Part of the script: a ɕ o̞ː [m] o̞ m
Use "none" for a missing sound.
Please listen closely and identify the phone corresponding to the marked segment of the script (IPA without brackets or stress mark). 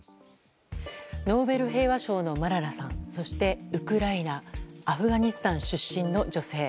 n